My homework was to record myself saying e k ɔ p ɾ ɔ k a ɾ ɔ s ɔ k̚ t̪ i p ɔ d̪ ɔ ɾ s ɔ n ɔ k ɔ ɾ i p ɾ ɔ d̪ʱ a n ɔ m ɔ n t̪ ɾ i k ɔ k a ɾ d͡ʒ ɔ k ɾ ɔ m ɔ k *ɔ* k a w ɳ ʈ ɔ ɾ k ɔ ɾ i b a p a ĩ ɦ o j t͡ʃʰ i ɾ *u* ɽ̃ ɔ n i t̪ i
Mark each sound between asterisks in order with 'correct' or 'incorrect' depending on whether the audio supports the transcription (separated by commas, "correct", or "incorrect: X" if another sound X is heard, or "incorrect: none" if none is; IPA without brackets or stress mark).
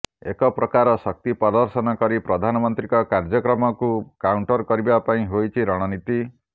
incorrect: u, incorrect: ɔ